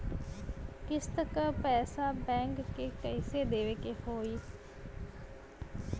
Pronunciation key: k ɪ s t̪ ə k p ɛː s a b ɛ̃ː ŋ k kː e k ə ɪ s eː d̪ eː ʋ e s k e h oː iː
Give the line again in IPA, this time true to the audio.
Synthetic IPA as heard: k ɪ s t̪ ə k p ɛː s a b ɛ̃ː ŋ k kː e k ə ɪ s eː d̪ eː ʋ e k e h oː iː